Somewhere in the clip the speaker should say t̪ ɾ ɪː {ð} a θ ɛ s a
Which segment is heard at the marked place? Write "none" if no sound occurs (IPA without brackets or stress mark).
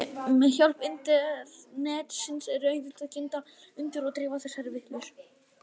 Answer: v